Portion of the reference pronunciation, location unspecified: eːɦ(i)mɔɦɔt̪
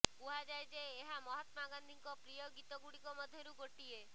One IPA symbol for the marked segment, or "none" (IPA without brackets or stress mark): a